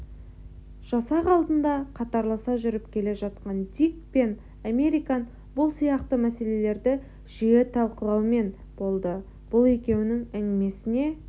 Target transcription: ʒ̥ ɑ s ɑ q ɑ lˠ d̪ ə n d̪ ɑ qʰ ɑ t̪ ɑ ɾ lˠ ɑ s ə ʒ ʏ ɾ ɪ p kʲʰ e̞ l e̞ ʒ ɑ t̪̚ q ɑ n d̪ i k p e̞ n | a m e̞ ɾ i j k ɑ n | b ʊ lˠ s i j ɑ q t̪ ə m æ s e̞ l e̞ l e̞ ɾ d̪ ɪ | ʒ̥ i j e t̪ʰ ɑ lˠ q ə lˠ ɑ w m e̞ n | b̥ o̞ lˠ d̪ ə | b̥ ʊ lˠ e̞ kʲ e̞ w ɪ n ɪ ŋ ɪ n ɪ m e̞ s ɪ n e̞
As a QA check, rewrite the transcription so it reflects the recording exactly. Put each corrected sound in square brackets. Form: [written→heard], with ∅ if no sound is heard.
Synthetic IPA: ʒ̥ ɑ s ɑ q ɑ lˠ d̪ ə n d̪ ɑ qʰ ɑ t̪ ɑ ɾ lˠ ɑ s [ə→ɑ] ʒ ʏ ɾ ɪ p kʲʰ e̞ l e̞ ʒ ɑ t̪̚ q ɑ n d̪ i k p e̞ n | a m e̞ ɾ i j k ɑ n | b ʊ lˠ s i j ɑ q t̪ ə m æ s e̞ l e̞ l e̞ ɾ d̪ ɪ | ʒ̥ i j e t̪ʰ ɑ lˠ q ə lˠ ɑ w m e̞ n | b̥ o̞ lˠ d̪ ə | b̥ ʊ lˠ e̞ kʲ e̞ w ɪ n ɪ ŋ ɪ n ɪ m e̞ s ɪ n e̞